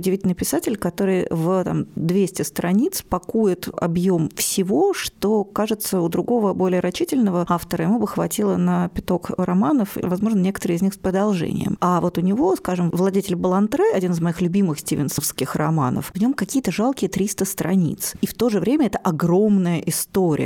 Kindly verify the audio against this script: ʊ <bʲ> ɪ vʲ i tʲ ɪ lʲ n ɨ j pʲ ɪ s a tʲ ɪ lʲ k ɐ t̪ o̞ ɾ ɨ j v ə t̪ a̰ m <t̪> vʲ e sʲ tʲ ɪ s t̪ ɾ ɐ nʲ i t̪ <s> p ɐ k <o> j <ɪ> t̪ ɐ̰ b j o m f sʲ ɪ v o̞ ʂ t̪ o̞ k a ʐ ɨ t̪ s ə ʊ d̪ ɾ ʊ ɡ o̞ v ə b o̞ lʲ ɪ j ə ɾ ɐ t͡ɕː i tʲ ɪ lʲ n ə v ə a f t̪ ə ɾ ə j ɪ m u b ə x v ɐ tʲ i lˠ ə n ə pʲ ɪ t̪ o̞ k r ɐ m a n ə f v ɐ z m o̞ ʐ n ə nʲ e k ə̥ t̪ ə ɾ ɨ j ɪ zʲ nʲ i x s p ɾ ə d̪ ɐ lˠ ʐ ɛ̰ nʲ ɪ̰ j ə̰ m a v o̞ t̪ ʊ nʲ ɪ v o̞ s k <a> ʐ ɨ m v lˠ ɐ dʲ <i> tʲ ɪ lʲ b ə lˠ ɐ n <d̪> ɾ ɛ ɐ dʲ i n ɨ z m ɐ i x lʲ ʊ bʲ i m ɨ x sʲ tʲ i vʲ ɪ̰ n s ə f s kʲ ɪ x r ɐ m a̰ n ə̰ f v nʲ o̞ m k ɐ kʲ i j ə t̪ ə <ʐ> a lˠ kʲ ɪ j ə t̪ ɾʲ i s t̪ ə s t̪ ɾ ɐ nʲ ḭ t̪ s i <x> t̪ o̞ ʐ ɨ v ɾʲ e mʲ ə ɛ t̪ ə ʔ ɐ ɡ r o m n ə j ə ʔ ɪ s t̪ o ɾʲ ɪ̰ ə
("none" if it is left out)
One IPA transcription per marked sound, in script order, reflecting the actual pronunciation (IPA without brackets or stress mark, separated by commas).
dʲ, d̪, s, u, ɪ, a, e, t̪, ʐ, f